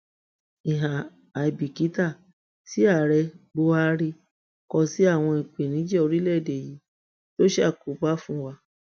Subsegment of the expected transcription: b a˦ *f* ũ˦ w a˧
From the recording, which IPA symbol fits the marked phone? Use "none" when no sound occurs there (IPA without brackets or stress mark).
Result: f